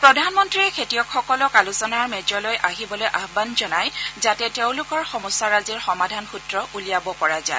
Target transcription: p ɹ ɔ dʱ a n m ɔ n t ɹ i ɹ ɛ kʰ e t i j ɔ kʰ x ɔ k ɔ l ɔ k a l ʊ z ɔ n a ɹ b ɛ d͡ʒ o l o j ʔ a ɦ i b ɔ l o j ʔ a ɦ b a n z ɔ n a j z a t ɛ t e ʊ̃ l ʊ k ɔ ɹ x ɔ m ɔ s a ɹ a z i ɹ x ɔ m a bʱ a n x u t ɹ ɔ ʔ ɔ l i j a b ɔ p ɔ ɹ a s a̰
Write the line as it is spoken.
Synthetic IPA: p ɹ ɔ dʱ a n m ɔ n t ɹ i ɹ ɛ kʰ e t i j ɔ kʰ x ɔ k ɔ l ɔ k a l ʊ s ɔ n a ɹ m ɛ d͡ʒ ɔ l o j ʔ a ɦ i b ɔ l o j ʔ a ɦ b a n z ɔ n a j z a t ɛ t e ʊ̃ l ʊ k ɔ ɹ x ɔ m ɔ s a ɹ a z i ɹ x ɔ m a dʱ a n x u t ɹ ɔ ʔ u l i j a b ɔ p ɔ ɹ a z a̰